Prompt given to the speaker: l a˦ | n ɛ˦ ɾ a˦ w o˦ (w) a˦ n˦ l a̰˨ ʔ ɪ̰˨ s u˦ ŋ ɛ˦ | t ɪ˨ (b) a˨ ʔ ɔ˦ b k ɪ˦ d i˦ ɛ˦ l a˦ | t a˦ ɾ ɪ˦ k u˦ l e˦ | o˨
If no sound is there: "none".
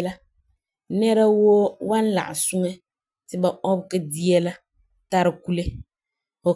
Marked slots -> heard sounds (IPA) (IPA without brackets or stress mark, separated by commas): w, b